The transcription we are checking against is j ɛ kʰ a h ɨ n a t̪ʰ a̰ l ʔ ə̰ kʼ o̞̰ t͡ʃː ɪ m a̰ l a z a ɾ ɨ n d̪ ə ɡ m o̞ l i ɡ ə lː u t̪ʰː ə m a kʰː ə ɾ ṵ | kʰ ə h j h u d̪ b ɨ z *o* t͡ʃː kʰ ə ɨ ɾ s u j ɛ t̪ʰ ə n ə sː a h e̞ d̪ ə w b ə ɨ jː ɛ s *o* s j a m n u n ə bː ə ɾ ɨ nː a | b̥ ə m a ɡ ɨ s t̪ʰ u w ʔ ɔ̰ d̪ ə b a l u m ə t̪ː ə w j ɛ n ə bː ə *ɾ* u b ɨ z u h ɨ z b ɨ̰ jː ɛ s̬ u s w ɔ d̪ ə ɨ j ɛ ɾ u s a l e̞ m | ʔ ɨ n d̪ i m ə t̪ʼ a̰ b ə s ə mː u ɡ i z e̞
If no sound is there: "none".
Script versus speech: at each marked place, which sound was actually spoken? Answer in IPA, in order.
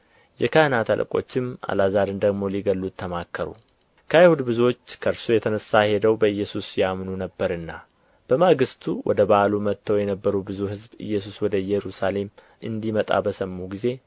o, u, ɾ

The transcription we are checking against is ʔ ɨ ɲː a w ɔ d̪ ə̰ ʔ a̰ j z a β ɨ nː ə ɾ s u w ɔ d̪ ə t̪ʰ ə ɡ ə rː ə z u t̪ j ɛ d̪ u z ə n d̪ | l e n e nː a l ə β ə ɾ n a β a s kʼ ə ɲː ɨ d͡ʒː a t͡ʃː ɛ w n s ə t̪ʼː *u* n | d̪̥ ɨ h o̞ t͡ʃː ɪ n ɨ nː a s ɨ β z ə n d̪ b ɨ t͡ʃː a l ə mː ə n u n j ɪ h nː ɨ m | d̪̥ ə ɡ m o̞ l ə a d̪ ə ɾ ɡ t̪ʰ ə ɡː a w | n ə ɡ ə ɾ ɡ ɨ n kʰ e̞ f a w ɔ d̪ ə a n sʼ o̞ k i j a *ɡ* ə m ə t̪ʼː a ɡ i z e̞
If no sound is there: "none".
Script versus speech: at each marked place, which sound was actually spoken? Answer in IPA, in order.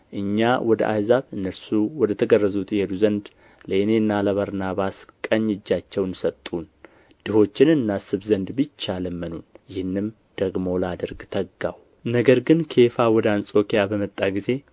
u, b

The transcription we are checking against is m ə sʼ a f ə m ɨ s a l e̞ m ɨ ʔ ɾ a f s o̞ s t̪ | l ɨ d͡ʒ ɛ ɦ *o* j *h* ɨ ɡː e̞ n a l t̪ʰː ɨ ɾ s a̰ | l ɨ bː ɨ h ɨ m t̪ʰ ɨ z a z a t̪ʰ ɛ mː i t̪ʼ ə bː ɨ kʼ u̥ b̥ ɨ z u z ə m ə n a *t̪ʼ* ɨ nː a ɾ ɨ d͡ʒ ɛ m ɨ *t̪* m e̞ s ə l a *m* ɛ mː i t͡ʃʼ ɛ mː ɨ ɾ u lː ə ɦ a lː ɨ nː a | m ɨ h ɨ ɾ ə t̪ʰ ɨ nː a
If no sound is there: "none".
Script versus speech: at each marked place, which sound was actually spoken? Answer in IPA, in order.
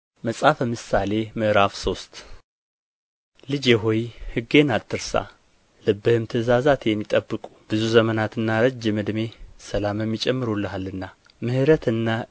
o, h, t̪, d̪, m

